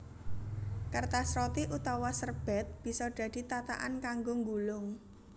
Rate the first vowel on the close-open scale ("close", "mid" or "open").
mid